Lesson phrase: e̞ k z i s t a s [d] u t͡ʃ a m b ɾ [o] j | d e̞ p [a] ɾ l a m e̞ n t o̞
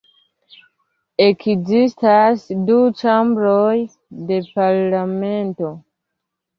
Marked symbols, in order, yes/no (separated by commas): yes, yes, yes